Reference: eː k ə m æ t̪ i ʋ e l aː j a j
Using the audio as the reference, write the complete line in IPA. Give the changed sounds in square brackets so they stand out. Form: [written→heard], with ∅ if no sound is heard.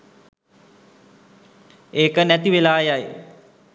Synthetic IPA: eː k ə [m→n] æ t̪ i ʋ e l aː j a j